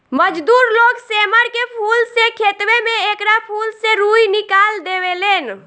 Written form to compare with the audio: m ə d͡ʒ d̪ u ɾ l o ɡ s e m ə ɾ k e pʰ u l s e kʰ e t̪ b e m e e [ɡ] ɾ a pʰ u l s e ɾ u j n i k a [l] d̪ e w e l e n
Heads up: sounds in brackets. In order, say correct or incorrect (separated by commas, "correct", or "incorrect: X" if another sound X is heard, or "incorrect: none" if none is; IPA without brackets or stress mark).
incorrect: k, correct